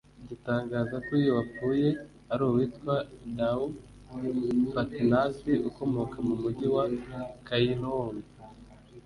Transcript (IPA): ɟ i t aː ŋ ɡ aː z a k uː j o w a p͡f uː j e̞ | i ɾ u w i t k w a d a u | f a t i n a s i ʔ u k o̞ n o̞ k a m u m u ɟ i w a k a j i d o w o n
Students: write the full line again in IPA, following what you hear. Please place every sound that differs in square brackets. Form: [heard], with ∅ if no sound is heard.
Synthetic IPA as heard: ɟ i t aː ŋ ɡ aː z a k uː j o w a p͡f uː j e̞ | [a] ɾ u w i t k w a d a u | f a t i n a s i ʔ u k o̞ [m] o̞ k a m u m u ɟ i w a k a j i [n] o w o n